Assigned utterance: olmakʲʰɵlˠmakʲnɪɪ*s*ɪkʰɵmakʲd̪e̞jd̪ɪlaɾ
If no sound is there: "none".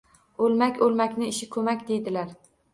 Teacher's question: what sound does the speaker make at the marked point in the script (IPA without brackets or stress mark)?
ʃ